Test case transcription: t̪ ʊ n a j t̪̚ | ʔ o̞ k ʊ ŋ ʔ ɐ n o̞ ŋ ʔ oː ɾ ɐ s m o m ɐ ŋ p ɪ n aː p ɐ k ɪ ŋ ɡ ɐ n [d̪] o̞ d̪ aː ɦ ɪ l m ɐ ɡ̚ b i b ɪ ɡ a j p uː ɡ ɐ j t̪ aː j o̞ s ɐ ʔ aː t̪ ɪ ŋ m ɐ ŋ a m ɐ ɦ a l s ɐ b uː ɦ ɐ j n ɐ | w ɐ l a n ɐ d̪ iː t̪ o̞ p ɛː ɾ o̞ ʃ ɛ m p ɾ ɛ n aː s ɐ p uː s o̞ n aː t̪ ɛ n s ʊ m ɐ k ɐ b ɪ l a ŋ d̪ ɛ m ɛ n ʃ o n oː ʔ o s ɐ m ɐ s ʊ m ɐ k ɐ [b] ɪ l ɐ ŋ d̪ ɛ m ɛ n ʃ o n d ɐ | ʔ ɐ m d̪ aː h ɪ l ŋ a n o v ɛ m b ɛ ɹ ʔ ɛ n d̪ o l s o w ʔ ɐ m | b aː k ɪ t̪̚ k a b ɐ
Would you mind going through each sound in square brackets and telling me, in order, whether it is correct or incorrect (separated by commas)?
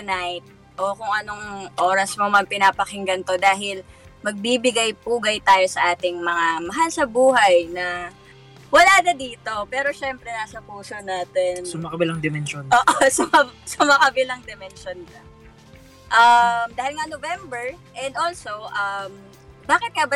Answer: incorrect, correct